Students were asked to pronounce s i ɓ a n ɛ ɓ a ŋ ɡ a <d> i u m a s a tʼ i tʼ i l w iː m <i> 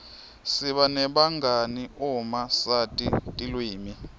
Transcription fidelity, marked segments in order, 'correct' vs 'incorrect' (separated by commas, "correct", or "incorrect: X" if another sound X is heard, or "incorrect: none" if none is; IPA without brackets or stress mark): incorrect: n, correct